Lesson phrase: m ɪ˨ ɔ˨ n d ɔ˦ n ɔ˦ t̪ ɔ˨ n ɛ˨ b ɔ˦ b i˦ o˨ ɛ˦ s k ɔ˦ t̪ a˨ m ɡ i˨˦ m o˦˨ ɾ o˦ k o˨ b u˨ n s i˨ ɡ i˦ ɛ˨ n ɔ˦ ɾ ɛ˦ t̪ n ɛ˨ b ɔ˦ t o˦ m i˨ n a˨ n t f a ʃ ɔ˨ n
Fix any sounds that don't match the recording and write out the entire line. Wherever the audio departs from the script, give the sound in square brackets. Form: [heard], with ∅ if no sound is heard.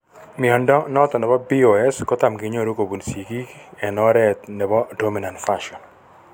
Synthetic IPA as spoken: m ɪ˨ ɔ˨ n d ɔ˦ n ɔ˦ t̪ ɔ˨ n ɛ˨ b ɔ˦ b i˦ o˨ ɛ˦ s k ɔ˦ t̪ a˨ m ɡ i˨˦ [ɲ] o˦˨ ɾ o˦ k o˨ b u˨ n s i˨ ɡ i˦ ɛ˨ n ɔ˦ ɾ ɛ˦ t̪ n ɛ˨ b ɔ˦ [d] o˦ m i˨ n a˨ n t f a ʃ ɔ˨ n